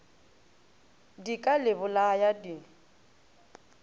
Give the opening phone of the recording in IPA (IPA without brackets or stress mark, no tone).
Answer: d